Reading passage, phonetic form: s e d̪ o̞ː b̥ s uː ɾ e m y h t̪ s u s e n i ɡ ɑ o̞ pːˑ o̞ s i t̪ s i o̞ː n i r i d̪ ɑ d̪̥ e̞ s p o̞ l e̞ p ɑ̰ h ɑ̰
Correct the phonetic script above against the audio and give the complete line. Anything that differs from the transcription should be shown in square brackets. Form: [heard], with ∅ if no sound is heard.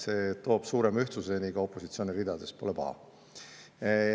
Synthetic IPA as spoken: s e [t̪] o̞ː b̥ s uː ɾ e m y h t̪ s u s e n i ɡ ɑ o̞ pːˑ o̞ s i t̪ s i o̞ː n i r i d̪ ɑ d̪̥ e̞ s p o̞ l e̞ p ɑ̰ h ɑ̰